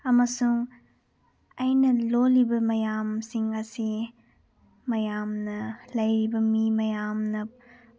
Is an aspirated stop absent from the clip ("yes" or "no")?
yes